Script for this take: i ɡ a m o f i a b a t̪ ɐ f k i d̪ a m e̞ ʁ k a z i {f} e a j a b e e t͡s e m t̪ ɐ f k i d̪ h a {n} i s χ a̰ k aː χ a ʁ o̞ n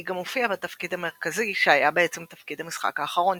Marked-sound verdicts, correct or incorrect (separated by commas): incorrect, incorrect